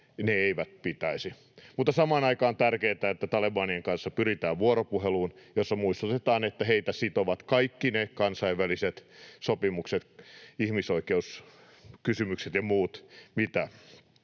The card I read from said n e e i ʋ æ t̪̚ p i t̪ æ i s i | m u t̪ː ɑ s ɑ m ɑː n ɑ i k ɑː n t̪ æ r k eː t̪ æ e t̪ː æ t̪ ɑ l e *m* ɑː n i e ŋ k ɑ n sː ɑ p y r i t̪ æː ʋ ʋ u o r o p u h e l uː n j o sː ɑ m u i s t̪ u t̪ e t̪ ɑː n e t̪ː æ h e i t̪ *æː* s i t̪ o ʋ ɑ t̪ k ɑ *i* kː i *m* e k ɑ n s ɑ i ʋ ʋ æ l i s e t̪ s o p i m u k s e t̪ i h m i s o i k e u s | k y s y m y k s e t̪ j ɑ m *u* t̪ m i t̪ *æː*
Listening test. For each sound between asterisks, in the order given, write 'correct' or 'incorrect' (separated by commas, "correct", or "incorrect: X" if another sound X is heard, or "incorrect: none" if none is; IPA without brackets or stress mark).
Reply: incorrect: b, incorrect: æ, correct, incorrect: n, incorrect: uː, incorrect: æ